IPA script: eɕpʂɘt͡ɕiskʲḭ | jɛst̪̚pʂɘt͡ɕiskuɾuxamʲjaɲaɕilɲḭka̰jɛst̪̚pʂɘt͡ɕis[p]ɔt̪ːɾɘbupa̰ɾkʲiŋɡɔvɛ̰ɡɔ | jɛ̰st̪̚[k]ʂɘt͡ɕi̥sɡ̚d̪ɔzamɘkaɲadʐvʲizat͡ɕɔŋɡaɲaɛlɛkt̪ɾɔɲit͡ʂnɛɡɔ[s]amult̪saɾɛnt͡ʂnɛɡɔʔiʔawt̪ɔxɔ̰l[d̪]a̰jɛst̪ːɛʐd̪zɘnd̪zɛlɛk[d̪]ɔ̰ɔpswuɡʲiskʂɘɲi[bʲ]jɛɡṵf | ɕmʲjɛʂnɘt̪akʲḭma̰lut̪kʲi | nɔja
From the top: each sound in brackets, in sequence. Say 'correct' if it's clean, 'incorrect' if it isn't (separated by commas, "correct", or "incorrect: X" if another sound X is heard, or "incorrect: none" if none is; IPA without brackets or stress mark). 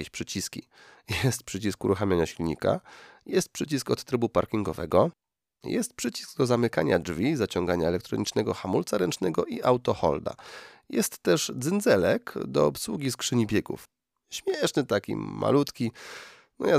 incorrect: k, incorrect: p, incorrect: x, correct, correct, correct